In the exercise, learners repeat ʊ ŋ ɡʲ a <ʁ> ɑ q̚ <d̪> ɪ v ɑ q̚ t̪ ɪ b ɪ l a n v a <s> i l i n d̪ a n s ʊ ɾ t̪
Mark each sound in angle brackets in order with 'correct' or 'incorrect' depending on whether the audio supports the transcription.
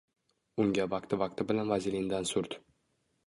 incorrect, incorrect, incorrect

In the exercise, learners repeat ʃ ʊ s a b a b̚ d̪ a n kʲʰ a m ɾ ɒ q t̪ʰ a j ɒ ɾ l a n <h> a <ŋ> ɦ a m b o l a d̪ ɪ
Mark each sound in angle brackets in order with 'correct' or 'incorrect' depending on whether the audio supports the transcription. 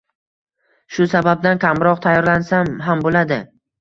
incorrect, incorrect

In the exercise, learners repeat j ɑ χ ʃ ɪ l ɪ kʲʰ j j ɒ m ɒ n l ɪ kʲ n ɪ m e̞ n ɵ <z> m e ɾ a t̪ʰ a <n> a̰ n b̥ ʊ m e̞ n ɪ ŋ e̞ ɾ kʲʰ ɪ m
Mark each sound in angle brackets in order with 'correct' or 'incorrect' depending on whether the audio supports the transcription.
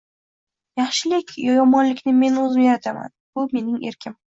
correct, incorrect

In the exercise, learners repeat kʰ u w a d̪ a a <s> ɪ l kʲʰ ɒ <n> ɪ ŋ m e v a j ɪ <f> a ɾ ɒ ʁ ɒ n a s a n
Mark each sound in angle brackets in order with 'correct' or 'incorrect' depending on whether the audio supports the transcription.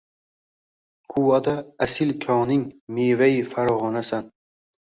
correct, correct, correct

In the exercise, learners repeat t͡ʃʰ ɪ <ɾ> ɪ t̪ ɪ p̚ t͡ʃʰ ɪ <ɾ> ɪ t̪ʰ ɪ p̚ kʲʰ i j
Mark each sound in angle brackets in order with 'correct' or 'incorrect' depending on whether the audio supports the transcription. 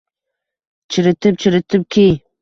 correct, correct

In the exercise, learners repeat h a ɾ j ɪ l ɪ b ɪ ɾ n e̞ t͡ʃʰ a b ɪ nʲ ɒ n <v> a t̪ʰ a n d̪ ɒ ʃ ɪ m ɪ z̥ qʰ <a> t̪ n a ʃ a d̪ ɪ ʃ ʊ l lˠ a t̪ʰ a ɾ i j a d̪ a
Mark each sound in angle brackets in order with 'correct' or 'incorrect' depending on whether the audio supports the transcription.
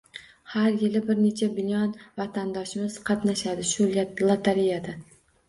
correct, incorrect

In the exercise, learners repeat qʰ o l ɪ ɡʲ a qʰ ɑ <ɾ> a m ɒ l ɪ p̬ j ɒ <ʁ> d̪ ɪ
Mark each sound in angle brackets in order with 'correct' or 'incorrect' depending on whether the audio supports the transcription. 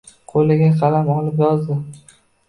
incorrect, incorrect

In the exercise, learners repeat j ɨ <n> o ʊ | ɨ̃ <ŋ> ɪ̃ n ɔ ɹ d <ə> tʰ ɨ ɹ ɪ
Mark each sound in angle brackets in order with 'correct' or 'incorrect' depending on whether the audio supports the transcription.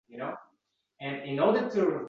correct, incorrect, correct

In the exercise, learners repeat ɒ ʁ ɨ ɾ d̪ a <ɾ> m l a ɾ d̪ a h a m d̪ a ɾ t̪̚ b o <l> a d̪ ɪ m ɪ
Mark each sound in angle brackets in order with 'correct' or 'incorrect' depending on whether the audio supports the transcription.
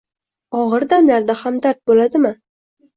incorrect, correct

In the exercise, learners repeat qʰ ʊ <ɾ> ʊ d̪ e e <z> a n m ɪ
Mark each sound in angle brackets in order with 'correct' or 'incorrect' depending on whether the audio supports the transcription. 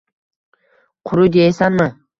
correct, incorrect

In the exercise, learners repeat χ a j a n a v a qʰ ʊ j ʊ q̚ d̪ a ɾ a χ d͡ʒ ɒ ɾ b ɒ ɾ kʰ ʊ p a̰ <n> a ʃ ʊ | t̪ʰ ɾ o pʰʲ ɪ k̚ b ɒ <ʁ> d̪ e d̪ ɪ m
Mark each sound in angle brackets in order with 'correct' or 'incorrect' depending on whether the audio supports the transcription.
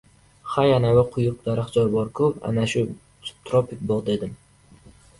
correct, correct

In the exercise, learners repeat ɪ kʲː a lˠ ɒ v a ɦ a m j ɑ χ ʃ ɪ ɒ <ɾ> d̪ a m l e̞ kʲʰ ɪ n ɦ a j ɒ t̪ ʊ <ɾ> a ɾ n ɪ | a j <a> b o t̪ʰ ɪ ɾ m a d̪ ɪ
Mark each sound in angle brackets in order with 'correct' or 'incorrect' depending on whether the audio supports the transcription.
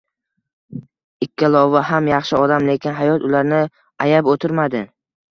incorrect, incorrect, correct

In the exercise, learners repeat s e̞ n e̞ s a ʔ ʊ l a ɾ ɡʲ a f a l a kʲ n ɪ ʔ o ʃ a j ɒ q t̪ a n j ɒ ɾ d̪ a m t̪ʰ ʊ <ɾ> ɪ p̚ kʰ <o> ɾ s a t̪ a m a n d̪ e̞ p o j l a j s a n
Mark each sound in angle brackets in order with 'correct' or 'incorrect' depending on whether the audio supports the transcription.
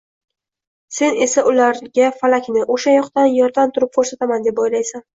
correct, correct

